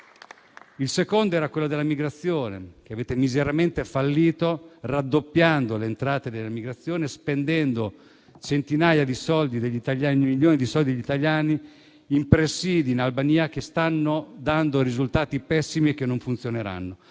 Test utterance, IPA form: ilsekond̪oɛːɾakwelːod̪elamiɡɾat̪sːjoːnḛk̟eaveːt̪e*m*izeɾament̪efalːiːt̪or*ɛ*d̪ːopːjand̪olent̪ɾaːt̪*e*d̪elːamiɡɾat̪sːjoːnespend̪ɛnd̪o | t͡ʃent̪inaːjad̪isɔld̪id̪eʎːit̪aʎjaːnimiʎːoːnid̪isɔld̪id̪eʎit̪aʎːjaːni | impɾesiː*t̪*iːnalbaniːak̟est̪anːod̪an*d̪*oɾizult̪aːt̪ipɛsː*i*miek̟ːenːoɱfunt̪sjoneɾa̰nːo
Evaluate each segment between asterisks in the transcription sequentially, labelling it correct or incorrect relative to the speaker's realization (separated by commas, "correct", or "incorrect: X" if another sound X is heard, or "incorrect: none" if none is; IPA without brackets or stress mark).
correct, incorrect: a, correct, incorrect: d̪, correct, correct